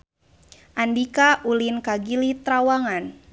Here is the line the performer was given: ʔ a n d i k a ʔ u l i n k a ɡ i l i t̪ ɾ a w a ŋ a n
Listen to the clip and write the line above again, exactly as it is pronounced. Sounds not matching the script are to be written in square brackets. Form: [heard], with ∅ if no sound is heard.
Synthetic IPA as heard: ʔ a n d i k a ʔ u l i n k a ɡ i l i t̪ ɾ a w a ŋ a n